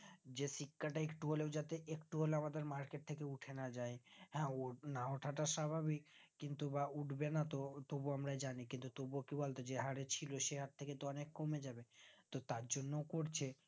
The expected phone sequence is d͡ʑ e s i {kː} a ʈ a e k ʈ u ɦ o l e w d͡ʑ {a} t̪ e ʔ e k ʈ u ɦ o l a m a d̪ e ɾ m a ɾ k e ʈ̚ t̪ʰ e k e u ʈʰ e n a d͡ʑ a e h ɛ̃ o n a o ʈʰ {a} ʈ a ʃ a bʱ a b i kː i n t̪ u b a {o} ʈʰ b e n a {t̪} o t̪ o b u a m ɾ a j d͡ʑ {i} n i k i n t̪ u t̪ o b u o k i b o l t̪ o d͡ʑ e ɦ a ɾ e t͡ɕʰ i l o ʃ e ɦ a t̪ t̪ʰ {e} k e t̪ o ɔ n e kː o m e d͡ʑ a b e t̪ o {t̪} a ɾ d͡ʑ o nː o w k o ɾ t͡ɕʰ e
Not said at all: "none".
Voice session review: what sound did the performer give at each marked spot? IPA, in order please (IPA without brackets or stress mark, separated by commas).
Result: kː, a, a, u, t̪, a, e, t̪